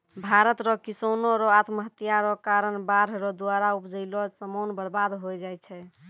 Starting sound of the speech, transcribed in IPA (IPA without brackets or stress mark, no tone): bʱ